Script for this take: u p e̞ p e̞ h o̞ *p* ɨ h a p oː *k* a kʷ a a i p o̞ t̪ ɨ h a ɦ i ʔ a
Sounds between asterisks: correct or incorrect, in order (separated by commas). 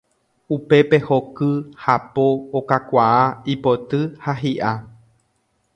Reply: incorrect, correct